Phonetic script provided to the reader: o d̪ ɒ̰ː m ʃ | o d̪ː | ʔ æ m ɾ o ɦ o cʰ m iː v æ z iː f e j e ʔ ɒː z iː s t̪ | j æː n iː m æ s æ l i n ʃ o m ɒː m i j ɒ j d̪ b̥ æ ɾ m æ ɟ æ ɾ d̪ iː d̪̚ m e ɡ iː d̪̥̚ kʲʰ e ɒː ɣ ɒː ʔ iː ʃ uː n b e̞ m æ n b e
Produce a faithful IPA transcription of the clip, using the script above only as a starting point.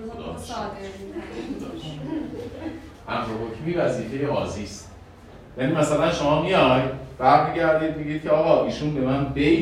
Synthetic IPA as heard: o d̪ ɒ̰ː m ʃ | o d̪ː | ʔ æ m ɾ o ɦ o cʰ m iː v æ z iː f e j e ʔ ɒː z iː s t̪ | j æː n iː m æ s æ l æ n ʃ o m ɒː m i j ɒ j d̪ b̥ æ ɾ m i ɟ æ ɾ d̪ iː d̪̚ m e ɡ iː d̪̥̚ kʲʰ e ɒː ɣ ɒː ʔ iː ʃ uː n b e̞ m æ n b e